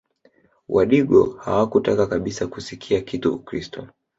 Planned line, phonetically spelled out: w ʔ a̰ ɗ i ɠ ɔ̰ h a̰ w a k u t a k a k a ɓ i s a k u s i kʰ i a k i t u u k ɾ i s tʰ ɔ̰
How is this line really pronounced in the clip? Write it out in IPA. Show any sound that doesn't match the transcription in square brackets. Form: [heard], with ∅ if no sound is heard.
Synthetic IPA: w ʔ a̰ ɗ i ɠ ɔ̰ h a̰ w a k u t a k a k a ɓ i s a k u s i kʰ i a k i t u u k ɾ i s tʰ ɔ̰